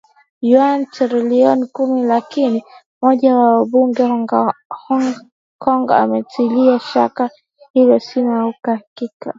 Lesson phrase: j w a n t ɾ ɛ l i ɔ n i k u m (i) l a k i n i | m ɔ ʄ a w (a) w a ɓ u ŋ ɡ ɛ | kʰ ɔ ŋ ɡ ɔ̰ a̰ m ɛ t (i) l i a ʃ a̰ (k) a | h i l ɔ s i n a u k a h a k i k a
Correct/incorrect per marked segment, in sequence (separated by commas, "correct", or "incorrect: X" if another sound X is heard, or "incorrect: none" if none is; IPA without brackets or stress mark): correct, correct, correct, correct